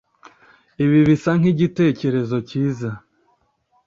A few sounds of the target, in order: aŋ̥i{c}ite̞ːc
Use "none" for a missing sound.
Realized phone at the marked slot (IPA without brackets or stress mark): ɟ